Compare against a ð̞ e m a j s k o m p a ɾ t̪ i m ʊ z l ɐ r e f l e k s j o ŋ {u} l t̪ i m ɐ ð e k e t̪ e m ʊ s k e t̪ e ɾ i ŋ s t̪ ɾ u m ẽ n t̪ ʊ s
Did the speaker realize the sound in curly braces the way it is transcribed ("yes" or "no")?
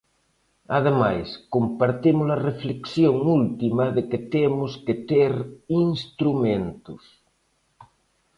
yes